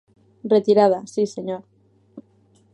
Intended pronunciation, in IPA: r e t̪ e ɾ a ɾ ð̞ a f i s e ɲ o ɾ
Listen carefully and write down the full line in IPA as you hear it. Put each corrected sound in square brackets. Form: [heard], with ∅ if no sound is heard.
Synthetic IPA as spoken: r e t̪ [i] ɾ a [∅] ð̞ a [s] i s e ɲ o ɾ